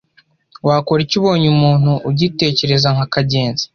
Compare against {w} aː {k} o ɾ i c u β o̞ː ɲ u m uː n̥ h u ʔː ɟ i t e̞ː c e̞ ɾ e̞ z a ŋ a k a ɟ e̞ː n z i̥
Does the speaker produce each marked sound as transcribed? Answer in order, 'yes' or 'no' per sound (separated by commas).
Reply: yes, yes